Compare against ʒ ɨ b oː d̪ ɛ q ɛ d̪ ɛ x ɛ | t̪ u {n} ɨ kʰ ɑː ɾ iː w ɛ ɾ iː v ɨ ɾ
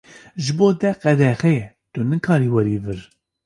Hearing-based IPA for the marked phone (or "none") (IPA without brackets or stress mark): n